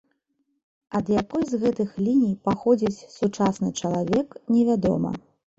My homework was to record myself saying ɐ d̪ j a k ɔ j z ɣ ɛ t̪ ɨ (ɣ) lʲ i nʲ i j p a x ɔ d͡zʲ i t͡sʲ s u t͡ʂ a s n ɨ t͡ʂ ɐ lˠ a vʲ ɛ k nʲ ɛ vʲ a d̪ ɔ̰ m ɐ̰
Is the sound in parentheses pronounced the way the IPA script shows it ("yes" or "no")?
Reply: no